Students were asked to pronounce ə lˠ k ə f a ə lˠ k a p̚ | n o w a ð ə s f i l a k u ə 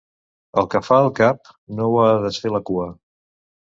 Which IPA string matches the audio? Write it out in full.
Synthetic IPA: ə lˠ k ə f a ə lˠ k a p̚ | n o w a ð ə s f e l ə k u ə